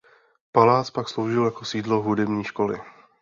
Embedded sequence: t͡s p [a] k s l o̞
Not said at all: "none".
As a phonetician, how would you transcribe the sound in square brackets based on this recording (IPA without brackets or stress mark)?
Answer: a